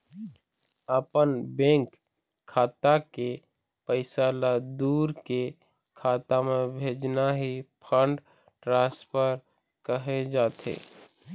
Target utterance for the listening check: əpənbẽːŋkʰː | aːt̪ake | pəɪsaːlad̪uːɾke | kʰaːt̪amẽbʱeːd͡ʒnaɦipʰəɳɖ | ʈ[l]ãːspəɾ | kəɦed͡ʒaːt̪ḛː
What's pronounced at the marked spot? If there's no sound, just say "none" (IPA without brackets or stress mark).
ɾ